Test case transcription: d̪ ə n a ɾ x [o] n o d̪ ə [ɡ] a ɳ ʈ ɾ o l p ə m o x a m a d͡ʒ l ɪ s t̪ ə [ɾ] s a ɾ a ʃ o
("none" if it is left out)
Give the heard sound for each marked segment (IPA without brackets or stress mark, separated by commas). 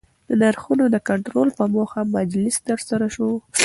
u, k, ɾ